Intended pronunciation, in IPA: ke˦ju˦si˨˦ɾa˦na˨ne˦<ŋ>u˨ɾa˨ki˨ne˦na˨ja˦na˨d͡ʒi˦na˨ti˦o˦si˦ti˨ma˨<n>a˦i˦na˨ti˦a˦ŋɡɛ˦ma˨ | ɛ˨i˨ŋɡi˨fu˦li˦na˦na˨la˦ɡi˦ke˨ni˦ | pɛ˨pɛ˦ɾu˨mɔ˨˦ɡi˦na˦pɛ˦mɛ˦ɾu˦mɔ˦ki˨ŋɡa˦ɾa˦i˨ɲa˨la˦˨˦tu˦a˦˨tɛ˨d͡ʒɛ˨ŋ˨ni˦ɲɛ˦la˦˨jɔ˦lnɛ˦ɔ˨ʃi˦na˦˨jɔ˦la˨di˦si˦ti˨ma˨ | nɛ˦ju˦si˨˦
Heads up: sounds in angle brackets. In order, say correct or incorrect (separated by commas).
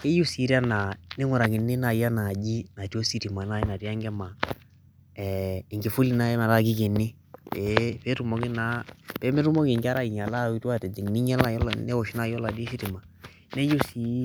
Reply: correct, correct